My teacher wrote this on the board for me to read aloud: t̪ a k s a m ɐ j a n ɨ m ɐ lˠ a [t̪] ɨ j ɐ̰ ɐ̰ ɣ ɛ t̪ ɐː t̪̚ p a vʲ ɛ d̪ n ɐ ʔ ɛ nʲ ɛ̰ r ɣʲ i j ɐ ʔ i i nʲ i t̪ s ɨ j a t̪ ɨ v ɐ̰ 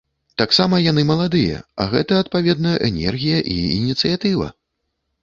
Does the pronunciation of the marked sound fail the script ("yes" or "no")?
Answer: yes